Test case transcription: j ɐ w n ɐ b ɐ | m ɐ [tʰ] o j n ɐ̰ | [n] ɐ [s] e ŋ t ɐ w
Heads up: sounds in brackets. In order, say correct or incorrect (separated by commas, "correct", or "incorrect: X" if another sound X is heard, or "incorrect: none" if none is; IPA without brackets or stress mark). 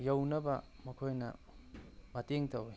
incorrect: kʰ, incorrect: m, incorrect: t